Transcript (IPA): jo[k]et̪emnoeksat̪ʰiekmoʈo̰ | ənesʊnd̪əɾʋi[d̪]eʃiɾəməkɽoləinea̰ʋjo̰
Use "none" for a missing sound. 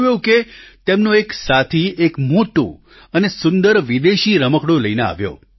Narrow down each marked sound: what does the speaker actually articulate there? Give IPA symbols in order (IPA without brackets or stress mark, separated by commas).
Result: k, d̪